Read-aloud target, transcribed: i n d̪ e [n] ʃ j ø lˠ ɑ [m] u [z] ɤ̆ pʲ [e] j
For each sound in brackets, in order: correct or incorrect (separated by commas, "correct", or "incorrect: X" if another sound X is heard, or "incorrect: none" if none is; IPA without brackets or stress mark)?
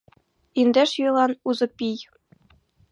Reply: incorrect: none, incorrect: n, correct, incorrect: i